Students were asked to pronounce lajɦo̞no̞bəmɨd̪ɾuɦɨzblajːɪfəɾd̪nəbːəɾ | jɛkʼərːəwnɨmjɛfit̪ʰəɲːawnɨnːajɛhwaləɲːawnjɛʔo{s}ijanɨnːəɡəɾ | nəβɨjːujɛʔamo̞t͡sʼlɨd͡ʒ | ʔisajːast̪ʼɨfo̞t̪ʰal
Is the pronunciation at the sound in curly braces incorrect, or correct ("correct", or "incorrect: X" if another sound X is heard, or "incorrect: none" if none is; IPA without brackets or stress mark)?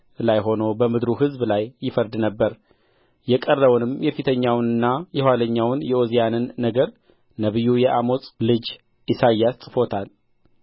incorrect: z